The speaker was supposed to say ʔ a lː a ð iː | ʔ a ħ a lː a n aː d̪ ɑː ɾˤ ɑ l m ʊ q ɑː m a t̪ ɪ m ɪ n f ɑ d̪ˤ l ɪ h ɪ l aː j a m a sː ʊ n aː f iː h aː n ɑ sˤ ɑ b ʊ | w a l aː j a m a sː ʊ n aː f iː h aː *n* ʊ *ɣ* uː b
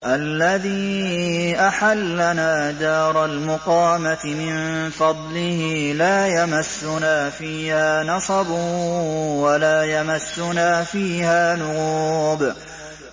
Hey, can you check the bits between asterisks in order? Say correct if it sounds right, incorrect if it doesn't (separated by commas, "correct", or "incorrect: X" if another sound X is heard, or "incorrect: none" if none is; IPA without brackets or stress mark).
correct, correct